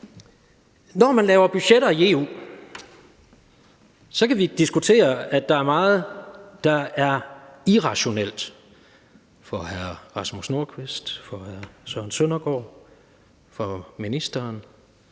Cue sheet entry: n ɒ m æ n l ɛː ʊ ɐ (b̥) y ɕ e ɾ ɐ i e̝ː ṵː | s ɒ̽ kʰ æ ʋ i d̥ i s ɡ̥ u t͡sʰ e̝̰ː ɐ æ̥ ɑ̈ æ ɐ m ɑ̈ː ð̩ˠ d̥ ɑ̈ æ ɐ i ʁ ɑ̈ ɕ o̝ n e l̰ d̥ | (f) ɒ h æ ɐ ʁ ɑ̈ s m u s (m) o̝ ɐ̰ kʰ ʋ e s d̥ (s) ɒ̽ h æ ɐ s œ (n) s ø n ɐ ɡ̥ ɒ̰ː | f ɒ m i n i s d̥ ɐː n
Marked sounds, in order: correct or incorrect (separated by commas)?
correct, correct, incorrect, incorrect, correct